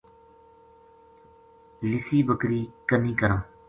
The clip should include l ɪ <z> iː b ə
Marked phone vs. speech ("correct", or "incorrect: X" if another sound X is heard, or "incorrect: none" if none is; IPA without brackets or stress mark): incorrect: s